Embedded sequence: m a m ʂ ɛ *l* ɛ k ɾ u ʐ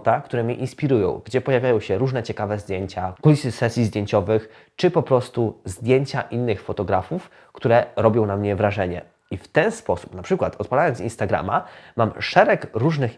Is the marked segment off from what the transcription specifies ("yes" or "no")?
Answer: yes